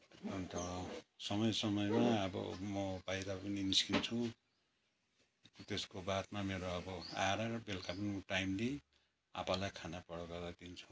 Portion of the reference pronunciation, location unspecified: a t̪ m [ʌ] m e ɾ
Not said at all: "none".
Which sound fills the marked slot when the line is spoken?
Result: a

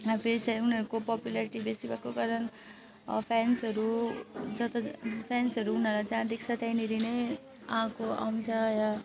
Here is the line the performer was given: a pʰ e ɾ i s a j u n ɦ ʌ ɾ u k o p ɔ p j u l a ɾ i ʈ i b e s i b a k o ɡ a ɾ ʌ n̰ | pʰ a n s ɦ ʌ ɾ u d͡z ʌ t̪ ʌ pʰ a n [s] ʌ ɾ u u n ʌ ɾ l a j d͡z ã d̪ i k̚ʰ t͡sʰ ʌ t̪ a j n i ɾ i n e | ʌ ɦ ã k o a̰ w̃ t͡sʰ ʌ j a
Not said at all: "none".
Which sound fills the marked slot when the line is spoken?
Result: s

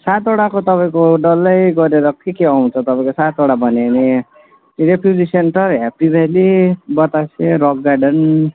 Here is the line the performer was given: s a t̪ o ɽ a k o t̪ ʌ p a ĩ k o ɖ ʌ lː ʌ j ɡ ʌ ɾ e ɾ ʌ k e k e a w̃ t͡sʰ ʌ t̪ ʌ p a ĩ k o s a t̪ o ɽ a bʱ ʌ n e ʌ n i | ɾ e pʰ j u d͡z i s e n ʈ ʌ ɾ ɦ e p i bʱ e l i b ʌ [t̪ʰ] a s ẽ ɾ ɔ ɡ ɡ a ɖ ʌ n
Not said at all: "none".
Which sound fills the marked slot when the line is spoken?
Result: t̪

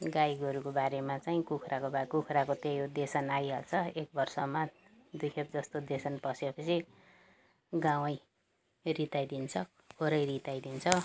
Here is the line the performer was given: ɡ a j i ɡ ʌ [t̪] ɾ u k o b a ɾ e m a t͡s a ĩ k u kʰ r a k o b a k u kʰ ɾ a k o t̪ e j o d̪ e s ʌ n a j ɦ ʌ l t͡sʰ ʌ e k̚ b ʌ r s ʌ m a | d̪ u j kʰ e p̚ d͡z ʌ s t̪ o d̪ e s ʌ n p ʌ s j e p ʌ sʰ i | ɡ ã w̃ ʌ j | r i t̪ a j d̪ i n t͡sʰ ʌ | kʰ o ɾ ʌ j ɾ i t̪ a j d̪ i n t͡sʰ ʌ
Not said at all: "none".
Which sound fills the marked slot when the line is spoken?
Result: none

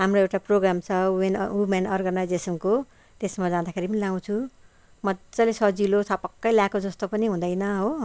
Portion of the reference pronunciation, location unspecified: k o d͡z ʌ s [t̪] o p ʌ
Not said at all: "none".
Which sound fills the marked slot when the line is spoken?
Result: t̪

